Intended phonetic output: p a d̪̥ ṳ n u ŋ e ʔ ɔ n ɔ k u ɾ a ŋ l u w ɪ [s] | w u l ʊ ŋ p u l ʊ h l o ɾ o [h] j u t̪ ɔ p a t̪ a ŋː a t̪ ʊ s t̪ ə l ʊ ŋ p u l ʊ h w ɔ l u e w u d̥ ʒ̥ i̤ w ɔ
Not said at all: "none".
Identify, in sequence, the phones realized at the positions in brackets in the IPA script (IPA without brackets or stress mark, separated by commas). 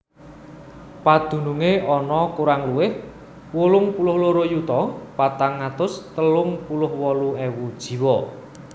h, none